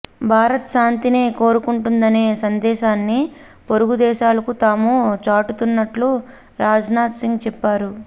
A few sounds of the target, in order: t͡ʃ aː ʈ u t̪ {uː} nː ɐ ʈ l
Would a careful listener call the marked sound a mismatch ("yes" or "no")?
yes